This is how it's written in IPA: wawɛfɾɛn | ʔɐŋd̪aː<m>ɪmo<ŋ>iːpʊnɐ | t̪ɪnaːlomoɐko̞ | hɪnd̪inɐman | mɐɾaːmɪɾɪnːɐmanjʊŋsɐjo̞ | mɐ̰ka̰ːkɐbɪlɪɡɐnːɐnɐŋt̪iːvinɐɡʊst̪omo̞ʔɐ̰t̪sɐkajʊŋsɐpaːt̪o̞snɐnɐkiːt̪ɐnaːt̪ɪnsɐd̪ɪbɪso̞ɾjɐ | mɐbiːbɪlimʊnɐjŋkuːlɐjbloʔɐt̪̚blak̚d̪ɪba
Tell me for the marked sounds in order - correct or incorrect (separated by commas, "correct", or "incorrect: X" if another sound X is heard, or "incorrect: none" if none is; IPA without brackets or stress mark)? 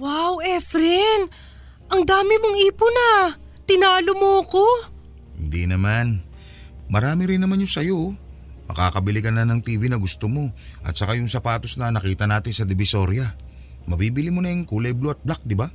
correct, correct